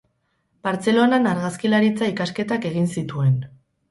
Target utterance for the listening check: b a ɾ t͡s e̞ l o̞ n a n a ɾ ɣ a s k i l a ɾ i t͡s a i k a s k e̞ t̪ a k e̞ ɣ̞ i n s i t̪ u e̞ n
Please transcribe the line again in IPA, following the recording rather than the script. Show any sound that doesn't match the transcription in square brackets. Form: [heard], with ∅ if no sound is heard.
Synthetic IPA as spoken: b a ɾ t͡s e̞ l o̞ n a n a ɾ ɣ a s k i l a ɾ i t͡s a i k a s k e̞ t̪ a k e̞ ɣ̞ i n s i t̪ u e̞ n